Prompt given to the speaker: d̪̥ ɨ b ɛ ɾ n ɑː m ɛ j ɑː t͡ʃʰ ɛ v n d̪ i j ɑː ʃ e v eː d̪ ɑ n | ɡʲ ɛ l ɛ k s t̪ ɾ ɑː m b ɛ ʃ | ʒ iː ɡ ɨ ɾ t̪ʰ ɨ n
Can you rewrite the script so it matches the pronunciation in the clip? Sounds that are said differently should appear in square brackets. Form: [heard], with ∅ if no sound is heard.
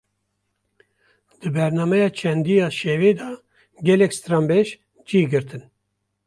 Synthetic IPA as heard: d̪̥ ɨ b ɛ ɾ n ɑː m ɛ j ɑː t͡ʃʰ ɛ [∅] n d̪ i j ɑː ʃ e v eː d̪ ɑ [∅] | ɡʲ ɛ l ɛ k s t̪ ɾ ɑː m b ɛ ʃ | [d͡ʒ] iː ɡ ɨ ɾ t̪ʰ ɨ n